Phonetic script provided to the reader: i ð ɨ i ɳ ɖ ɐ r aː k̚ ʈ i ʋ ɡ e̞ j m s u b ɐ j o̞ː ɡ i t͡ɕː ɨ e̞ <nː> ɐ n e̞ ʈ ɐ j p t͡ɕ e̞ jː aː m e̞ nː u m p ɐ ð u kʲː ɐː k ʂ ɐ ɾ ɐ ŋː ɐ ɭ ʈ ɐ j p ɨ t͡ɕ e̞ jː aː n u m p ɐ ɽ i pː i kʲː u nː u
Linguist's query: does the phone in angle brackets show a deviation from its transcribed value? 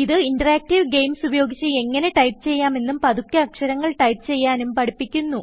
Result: yes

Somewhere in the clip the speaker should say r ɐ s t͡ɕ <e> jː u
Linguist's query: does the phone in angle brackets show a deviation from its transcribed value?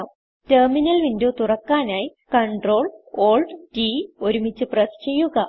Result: no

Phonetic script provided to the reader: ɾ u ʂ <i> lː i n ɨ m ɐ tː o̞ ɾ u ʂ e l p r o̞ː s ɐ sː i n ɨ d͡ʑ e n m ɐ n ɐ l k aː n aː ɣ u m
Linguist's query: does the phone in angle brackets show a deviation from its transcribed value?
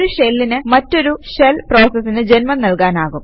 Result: yes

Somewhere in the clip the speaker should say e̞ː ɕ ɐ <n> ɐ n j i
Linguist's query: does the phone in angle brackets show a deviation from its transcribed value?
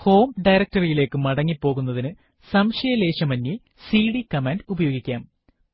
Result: yes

